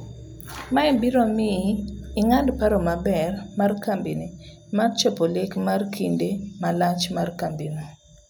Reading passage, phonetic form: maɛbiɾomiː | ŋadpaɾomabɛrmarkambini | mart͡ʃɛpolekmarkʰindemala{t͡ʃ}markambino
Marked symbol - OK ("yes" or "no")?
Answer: yes